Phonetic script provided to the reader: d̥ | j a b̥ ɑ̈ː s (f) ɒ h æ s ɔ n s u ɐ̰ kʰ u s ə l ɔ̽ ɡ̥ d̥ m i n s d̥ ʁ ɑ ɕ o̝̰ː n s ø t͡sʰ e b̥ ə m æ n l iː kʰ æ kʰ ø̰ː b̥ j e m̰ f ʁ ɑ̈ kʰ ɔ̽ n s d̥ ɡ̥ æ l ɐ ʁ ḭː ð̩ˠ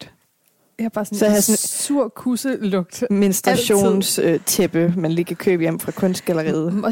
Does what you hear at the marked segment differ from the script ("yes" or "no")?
yes